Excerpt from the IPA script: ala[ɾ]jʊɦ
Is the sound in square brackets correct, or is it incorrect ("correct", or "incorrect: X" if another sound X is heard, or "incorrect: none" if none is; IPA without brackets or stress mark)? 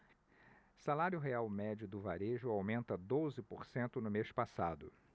correct